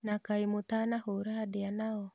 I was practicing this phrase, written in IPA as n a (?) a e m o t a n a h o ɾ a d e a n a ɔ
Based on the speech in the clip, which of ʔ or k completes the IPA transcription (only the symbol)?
k